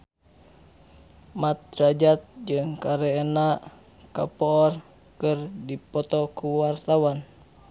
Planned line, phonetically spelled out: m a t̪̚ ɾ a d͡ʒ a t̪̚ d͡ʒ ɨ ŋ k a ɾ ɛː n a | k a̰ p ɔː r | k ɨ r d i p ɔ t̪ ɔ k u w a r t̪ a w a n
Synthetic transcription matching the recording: m a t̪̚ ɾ a d͡ʒ a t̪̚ d͡ʒ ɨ ŋ k a ɾ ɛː n a | k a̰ p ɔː r | k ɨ r d i p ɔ t̪ ɔ k u w a r t̪ a w a n